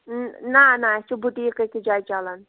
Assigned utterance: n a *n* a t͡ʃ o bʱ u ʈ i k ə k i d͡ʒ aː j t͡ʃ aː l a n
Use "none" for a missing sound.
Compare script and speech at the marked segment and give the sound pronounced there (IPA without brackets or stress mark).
n